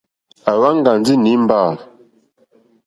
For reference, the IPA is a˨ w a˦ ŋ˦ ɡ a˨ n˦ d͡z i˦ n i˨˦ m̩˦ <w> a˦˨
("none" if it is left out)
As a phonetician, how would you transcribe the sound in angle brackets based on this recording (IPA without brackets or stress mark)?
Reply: b